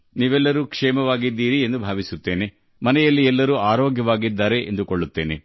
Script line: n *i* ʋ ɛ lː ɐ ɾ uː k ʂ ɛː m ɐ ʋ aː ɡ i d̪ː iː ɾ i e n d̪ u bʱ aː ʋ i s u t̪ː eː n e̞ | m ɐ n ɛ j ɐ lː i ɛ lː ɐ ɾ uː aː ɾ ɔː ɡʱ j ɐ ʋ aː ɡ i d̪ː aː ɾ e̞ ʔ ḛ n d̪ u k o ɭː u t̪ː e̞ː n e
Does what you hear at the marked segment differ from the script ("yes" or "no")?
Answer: yes